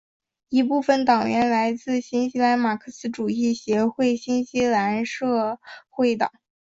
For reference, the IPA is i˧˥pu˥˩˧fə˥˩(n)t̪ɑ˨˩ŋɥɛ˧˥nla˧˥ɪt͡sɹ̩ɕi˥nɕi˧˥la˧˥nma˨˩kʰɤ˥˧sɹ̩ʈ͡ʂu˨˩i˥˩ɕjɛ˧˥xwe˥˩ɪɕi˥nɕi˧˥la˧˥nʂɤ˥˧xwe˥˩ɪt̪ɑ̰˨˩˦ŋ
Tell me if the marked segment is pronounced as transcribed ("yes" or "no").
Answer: yes